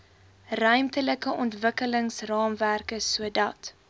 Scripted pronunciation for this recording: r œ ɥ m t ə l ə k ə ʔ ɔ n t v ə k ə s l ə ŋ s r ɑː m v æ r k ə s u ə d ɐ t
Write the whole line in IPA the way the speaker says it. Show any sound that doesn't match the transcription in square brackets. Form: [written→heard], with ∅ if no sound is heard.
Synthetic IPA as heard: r œ ɥ m t ə l ə k ə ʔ ɔ n t v ə k ə [s→∅] l ə ŋ s r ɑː m v æ r k ə s u ə d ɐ t